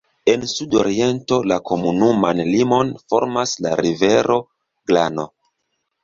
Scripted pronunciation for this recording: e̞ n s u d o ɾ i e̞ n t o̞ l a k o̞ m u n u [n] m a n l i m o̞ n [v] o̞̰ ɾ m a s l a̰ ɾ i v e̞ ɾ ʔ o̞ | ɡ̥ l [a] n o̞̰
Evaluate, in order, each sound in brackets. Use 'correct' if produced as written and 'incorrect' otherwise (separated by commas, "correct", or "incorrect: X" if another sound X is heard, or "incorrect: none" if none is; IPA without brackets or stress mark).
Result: incorrect: none, incorrect: f, correct